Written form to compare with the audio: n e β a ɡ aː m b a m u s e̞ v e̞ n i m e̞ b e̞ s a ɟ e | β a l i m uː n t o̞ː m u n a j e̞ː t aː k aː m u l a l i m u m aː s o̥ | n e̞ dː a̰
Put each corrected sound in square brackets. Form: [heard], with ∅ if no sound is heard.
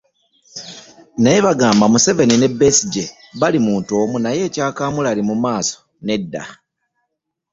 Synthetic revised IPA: n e β a ɡ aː m b a m u s e̞ v e̞ n i [n] e̞ b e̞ s [i] ɟ e | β a l i m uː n t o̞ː m u n a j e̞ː [c] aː k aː m u l a l i m u m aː s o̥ | n e̞ dː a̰